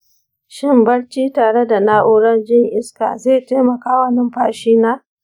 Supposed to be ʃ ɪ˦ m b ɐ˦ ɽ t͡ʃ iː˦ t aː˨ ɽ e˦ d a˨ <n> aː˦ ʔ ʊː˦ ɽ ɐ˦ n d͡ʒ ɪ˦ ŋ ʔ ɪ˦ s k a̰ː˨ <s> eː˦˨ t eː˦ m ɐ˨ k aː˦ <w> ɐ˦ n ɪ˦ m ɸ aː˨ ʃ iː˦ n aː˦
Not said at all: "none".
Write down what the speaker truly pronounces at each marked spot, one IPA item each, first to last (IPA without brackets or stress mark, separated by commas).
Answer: n, z, w